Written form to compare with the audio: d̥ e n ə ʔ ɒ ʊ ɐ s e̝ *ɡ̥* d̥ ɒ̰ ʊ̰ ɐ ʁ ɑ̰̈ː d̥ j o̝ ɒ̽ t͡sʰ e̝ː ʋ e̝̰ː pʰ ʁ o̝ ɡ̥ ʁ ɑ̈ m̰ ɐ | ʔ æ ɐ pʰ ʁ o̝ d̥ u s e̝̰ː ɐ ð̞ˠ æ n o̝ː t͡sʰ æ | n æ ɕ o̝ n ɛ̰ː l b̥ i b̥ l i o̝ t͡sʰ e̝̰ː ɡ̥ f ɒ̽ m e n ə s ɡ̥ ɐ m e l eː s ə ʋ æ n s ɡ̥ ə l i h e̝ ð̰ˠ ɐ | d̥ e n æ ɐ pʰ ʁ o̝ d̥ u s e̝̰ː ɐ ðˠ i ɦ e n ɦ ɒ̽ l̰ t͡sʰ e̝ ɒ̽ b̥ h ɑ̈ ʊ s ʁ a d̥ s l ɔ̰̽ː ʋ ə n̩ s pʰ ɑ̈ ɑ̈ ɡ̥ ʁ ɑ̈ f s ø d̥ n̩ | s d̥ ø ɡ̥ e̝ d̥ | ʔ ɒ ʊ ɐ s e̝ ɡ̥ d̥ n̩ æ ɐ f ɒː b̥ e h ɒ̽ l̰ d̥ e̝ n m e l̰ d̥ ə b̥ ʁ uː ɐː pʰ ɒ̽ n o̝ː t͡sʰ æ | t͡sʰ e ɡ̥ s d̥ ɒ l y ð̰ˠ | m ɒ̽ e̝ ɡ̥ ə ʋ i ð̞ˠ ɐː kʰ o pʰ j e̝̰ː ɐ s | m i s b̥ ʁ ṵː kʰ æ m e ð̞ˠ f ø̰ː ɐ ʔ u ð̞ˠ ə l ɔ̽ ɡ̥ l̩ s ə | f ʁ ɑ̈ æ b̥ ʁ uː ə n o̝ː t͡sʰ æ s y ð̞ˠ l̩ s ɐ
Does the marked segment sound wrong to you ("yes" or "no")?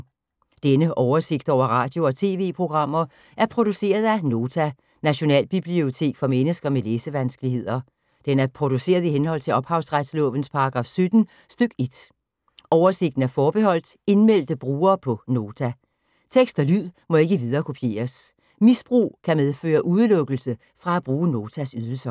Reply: no